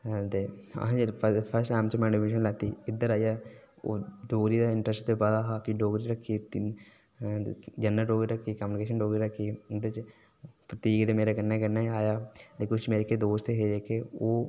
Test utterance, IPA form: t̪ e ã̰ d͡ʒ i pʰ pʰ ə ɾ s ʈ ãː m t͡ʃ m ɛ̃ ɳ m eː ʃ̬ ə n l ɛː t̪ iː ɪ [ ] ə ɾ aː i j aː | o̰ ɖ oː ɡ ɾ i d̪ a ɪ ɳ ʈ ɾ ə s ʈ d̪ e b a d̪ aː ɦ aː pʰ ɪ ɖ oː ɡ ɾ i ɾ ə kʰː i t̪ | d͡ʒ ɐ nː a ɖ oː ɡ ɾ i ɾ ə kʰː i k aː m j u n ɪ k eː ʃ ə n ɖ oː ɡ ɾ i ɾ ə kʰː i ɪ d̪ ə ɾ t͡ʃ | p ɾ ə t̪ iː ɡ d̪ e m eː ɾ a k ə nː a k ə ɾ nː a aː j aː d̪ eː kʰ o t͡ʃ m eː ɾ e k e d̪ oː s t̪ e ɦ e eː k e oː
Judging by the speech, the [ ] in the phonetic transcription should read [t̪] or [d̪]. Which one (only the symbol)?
d̪